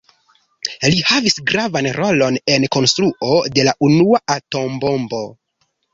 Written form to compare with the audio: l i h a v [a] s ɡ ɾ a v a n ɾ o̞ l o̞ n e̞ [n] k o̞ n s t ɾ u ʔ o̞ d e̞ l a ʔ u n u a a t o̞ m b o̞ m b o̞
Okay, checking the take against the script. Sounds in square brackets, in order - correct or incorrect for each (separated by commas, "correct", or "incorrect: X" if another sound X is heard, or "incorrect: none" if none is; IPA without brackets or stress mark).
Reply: incorrect: i, correct